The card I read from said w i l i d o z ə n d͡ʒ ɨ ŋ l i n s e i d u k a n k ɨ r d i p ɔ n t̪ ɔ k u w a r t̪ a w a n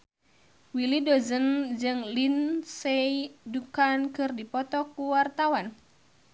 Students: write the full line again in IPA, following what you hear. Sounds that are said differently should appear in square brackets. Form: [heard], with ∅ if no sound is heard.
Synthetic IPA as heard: w i l i d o z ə n d͡ʒ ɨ ŋ l i n s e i d u k a n k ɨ r d i p ɔ [∅] t̪ ɔ k u w a r t̪ a w a n